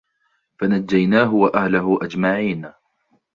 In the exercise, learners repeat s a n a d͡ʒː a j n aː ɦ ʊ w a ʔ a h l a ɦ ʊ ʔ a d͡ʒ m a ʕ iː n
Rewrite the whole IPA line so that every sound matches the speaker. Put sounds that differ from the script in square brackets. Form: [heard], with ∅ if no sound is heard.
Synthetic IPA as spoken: [f] a n a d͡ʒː a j n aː ɦ ʊ w a ʔ a h l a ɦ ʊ ʔ a d͡ʒ m a ʕ iː n